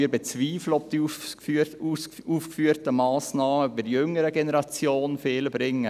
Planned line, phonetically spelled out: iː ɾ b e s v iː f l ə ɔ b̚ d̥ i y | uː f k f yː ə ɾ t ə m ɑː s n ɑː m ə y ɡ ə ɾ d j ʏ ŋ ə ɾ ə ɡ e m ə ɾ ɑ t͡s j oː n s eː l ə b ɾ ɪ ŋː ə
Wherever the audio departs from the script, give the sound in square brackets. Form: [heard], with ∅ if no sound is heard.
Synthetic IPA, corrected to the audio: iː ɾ b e [t͡s] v iː f l ə ɔ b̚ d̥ i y | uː f k f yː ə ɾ t ə m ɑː s n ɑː m ə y [b] ə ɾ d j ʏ ŋ ə ɾ ə ɡ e [n] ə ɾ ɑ t͡s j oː n [f] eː l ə b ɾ ɪ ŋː ə

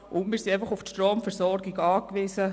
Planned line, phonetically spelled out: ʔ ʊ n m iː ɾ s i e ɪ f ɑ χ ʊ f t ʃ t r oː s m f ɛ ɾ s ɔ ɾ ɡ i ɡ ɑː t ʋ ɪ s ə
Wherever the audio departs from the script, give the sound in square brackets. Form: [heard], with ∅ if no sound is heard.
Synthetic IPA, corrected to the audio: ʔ ʊ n m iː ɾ s i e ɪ f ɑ χ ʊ f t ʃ t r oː [∅] m f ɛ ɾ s ɔ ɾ ɡ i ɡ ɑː [k] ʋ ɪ s ə

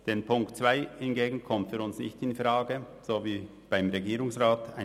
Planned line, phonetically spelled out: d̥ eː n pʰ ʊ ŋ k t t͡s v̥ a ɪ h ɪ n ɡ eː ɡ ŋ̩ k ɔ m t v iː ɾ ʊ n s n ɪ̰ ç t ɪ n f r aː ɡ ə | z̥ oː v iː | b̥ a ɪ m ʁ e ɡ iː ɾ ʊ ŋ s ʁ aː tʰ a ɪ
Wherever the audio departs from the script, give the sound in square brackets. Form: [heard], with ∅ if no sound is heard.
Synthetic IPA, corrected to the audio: d̥ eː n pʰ ʊ ŋ k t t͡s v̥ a ɪ h ɪ n ɡ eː ɡ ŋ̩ [kʰ] ɔ m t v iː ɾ ʊ n s n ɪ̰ ç t ɪ n f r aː ɡ ə | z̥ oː v iː | b̥ a ɪ m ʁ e ɡ iː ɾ ʊ ŋ s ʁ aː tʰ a ɪ

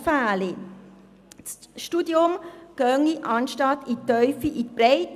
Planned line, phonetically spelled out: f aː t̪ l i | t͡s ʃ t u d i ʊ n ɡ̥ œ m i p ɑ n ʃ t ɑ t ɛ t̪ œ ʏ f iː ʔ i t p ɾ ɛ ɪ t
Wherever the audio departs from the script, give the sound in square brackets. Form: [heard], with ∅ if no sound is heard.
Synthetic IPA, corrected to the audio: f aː [∅] l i | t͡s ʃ t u d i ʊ [m] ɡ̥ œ [ŋ] i [ʔ] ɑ n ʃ t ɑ t [i] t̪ œ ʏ f [i] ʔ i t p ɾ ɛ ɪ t

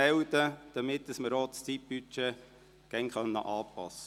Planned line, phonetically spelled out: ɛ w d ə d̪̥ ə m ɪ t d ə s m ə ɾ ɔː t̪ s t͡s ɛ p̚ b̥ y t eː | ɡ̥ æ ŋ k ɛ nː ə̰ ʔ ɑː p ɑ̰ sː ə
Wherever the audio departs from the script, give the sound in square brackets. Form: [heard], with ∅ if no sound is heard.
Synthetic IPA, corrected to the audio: ɛ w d ə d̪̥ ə m ɪ t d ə s m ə ɾ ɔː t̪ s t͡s [i] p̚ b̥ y [t͡ʃ] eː | ɡ̥ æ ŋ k [œ] nː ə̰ ʔ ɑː p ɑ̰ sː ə

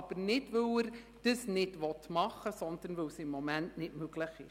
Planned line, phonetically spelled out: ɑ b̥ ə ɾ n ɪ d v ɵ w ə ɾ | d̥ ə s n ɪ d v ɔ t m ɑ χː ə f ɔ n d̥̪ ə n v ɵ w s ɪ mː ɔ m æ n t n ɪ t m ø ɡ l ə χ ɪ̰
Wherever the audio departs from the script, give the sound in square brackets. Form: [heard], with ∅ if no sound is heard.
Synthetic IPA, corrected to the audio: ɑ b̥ ə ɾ n ɪ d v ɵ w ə ɾ | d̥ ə s n ɪ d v ɔ t m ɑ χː ə [s] ɔ n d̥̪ ə n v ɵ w s ɪ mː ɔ m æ n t n ɪ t m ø ɡ l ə χ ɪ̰

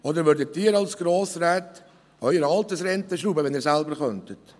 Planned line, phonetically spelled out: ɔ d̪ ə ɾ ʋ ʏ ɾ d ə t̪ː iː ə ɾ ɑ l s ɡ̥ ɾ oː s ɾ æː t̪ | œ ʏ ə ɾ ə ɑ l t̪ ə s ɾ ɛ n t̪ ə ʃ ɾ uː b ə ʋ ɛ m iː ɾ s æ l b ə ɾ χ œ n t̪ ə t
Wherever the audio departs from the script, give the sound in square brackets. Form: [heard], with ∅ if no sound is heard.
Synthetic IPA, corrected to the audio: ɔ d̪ ə ɾ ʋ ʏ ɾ d ə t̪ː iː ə ɾ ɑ l s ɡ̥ ɾ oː s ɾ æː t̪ | œ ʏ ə ɾ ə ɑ l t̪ ə s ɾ ɛ n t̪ ə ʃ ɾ uː b ə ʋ ɛ [n] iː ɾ s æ l b ə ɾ χ œ n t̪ ə t

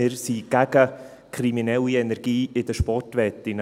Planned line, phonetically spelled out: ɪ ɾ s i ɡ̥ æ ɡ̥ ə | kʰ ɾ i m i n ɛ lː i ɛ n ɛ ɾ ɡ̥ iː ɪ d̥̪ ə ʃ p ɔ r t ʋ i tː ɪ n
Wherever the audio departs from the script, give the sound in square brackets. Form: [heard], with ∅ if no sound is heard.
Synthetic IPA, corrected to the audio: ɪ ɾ s i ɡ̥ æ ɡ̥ ə | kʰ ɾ i m i n ɛ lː i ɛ n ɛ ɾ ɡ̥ iː ɪ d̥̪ ə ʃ p ɔ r t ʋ [ɛ] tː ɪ n

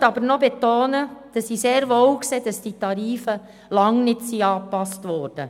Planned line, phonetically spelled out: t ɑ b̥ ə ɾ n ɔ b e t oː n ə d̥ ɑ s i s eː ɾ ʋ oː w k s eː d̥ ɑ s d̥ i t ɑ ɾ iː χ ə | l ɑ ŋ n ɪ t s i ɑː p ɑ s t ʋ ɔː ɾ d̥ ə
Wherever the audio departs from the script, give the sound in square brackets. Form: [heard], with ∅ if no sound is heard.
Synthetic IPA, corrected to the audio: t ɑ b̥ ə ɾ n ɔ b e t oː n ə d̥ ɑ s i s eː ɾ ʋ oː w k s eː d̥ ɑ s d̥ i t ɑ ɾ iː [f] ə | l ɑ ŋ n ɪ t s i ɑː p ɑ s t ʋ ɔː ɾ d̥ ə

